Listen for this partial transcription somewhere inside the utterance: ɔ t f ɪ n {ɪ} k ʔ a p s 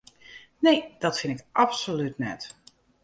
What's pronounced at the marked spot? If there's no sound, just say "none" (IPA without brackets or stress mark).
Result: ɪ